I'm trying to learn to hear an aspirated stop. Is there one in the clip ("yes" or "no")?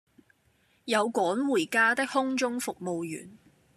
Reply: no